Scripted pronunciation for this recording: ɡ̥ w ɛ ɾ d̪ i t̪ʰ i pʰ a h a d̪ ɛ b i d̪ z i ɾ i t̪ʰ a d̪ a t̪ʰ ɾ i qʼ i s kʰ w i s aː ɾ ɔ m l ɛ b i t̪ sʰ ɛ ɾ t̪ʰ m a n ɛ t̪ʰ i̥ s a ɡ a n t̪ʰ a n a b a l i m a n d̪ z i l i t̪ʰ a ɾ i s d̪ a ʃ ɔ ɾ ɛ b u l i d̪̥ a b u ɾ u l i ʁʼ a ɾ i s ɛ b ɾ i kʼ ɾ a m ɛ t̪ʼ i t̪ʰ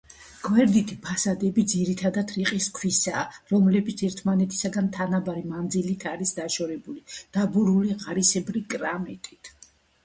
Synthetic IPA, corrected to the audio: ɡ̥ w ɛ ɾ d̪ i t̪ʰ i pʰ a s a d̪ ɛ b i d̪ z i ɾ i t̪ʰ a d̪ a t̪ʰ ɾ i qʼ i s kʰ w i s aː ɾ ɔ m l ɛ b i t̪ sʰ ɛ ɾ t̪ʰ m a n ɛ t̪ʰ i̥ s a ɡ a n t̪ʰ a n a b a ɾ i m a n d̪ z i l i t̪ʰ a ɾ i s d̪ a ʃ ɔ ɾ ɛ b u l i d̪̥ a b u ɾ u l i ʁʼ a ɾ i s ɛ b ɾ i kʼ ɾ a m ɛ t̪ʼ i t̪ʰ